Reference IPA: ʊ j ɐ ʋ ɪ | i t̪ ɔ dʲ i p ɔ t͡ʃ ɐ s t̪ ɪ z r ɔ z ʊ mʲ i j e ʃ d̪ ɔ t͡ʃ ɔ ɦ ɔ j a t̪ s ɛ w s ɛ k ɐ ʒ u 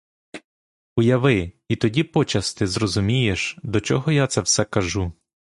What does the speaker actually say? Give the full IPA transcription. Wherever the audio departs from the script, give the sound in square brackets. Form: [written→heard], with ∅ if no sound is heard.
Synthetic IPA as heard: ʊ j ɐ ʋ ɪ | i t̪ ɔ dʲ i p ɔ t͡ʃ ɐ s t̪ ɪ z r ɔ z ʊ mʲ i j e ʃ d̪ ɔ t͡ʃ ɔ ɦ ɔ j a t̪ s ɛ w s ɛ k ɐ ʒ u